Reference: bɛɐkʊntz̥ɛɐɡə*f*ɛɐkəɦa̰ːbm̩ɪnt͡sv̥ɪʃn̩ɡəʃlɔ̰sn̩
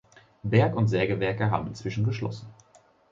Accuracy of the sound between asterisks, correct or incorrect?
incorrect